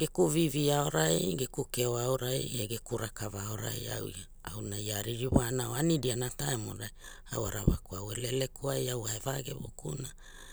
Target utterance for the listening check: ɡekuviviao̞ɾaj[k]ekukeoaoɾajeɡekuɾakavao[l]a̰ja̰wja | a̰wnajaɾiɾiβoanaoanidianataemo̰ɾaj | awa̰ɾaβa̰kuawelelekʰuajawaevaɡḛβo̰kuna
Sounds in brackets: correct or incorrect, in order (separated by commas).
incorrect, incorrect